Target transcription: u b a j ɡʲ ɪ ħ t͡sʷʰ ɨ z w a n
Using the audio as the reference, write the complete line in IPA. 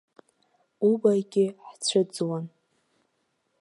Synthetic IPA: u b a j ɡʲ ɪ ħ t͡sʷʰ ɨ d͡z w a n